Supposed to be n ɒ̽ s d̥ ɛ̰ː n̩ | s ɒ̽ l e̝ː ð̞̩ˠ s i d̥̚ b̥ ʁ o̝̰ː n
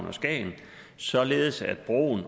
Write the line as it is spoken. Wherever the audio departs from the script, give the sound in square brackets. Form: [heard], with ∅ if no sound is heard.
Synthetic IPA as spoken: n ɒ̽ s [ɡ̥] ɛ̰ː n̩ | s ɒ̽ l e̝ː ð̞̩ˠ s [æ] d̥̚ b̥ ʁ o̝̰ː n